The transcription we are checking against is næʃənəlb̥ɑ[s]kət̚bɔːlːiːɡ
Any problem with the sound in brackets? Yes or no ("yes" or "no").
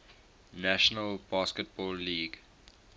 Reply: no